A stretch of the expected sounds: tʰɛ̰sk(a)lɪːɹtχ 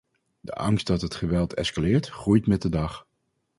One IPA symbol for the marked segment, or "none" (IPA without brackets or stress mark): a